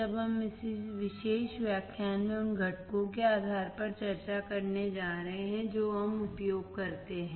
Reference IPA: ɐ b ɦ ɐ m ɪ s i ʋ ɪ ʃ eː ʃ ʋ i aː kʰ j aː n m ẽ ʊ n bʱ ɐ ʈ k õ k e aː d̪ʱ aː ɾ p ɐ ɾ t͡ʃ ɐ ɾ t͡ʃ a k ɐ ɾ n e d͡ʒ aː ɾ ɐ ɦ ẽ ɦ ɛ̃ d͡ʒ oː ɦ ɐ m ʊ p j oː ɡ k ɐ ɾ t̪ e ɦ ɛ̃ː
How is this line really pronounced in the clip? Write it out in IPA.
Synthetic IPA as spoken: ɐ b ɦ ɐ m ɪ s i ʋ ɪ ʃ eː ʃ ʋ j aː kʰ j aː n m ẽ ʊ n ɡʱ ɐ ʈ k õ k e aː d̪ʱ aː ɾ p ɐ ɾ t͡ʃ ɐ ɾ t͡ʃ a k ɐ ɾ n e d͡ʒ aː ɾ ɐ ɦ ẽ ɦ ɛ̃ d͡ʒ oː ɦ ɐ m ʊ p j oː ɡ k ɐ ɾ t̪ e ɦ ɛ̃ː